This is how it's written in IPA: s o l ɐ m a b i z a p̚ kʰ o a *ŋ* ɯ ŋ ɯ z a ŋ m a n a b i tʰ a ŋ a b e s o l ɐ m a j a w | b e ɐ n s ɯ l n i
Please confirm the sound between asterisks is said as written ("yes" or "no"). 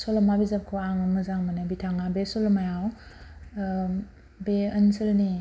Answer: yes